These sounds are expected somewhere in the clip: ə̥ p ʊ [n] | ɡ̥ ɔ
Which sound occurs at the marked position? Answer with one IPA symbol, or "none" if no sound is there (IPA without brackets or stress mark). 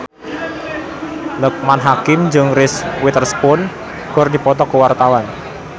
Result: n